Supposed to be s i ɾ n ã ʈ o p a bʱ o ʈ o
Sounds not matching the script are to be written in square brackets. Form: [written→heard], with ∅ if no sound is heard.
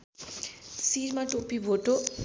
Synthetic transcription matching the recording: s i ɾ [n→m] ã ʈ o p [a→i] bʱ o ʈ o